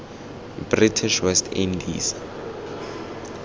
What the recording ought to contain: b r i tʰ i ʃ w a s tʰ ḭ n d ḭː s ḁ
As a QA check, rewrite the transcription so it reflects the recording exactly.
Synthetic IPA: b r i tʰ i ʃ w ɛ s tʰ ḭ n d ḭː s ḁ

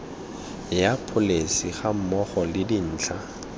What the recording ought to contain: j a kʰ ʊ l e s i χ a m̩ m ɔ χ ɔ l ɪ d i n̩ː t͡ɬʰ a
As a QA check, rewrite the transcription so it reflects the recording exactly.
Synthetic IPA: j a pʰ ʊ l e s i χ a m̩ m ɔ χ ɔ l ɪ d i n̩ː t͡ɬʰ a

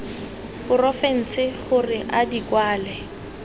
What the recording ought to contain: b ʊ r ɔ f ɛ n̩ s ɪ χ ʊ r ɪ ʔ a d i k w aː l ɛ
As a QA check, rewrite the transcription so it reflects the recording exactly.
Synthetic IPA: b ʊ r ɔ f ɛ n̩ s ɪ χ ʊ r ɪ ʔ a d i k w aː l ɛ

